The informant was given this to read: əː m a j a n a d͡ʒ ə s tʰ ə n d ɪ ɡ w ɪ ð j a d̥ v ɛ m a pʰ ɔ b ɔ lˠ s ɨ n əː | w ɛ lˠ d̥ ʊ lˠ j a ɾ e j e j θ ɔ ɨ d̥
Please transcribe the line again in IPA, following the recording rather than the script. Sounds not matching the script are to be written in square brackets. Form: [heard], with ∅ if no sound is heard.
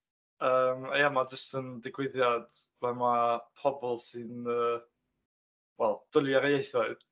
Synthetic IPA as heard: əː m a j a [m] a d͡ʒ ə s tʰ ə n d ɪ ɡ w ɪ ð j a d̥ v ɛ m a pʰ ɔ b ɔ lˠ s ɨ n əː | w ɛ lˠ d̥ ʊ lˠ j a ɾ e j e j θ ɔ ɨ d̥